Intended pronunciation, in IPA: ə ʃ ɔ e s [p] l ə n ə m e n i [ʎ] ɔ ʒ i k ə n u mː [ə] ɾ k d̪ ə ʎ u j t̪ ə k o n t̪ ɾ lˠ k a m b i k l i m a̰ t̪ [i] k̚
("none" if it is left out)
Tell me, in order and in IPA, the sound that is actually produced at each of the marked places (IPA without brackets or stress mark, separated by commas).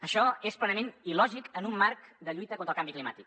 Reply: p, l, a, i